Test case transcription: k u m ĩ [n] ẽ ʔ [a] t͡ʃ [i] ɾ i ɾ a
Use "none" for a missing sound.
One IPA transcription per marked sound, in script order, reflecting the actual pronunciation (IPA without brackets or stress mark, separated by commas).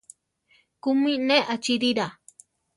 n, a, i